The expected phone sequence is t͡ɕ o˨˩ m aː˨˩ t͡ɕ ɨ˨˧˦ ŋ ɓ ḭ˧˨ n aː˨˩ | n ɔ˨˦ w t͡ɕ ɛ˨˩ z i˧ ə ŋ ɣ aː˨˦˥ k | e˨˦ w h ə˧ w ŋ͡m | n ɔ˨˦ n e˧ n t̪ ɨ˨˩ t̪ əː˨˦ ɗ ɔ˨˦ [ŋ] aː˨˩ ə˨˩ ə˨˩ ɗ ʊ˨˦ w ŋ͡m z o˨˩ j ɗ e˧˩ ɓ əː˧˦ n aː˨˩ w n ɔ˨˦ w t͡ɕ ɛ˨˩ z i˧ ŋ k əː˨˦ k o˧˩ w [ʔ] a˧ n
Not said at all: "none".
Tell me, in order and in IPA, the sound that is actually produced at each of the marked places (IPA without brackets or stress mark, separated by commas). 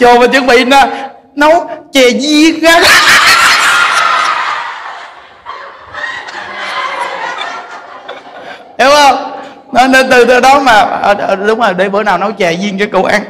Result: m, ʔ